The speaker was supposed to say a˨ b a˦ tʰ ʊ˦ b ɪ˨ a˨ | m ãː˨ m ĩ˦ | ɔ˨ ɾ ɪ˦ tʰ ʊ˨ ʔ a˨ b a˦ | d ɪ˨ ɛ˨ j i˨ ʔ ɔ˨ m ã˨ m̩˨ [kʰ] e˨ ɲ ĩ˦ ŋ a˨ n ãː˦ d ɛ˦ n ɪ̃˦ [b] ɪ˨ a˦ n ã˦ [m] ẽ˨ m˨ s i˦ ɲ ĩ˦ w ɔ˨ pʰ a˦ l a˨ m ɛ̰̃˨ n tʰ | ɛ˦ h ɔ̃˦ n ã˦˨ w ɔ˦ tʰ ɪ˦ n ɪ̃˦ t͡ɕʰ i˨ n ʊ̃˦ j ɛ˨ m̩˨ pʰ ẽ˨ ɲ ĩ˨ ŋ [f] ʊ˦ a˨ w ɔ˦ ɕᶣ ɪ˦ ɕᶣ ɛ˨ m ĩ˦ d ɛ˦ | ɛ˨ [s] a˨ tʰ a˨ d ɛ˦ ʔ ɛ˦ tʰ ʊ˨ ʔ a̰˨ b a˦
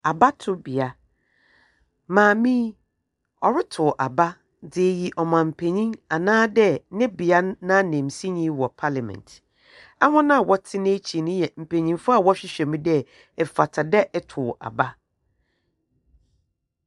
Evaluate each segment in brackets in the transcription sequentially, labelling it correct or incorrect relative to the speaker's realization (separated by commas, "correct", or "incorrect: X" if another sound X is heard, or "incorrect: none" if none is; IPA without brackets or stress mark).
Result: incorrect: pʰ, correct, incorrect: n, correct, incorrect: f